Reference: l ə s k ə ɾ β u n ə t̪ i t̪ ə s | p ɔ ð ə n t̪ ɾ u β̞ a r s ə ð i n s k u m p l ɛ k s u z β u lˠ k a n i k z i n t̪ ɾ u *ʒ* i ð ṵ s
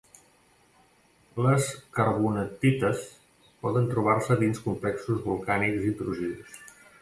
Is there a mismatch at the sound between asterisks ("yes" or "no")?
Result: no